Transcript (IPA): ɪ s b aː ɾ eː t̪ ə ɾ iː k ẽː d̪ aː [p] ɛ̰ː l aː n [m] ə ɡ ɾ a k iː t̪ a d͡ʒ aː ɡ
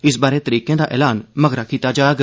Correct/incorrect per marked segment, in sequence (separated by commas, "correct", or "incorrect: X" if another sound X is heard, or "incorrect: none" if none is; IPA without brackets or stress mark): incorrect: ʔ, correct